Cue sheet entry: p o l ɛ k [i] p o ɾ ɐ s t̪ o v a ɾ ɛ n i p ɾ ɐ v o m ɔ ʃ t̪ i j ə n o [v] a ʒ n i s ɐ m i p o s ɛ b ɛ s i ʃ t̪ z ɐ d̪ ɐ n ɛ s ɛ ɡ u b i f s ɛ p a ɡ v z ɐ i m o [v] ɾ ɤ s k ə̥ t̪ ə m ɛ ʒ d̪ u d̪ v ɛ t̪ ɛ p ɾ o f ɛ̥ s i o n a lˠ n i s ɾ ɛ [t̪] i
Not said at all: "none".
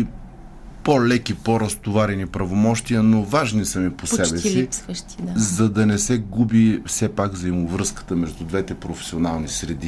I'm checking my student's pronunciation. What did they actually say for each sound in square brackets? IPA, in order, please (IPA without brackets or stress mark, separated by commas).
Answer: i, v, v, d̪